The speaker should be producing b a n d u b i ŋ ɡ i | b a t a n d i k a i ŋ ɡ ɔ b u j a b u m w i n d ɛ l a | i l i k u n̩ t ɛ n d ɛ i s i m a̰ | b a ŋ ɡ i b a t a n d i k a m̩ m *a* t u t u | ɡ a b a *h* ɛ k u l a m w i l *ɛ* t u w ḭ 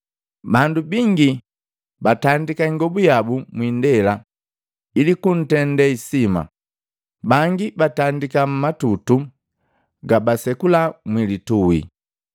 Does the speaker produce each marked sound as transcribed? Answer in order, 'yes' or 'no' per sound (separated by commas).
yes, no, no